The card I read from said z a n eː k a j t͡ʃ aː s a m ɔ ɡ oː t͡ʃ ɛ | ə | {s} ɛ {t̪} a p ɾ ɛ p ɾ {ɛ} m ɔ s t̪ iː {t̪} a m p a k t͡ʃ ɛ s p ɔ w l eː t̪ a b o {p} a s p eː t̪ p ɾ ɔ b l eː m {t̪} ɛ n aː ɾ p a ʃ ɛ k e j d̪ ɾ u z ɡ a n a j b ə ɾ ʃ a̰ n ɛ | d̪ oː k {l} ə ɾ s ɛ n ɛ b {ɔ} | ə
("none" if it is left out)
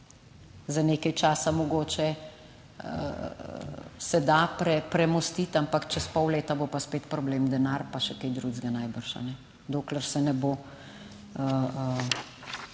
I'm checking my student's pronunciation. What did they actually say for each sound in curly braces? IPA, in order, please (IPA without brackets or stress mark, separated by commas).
s, d̪, ɛ, t̪, p, d̪, l, o